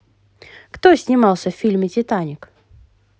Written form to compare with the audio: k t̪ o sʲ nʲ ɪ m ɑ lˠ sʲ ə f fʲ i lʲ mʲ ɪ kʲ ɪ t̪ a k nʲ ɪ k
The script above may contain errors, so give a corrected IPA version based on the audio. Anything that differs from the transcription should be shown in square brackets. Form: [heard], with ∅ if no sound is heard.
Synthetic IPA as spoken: k t̪ o sʲ nʲ ɪ m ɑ lˠ sʲ ə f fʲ i lʲ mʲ ɪ [tʲ] ɪ t̪ a [∅] nʲ ɪ k